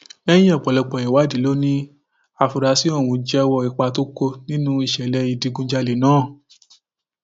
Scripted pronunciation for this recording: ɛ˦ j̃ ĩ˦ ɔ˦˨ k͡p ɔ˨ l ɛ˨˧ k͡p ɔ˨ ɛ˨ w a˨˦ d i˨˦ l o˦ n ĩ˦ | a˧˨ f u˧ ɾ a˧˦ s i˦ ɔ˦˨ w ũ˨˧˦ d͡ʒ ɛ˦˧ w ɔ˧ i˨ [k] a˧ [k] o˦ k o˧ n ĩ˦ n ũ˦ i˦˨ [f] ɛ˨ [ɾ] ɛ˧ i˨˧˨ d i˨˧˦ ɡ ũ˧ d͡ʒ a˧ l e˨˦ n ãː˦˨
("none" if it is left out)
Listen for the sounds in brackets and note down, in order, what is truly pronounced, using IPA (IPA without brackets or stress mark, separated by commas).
k͡p, t, ʃ, l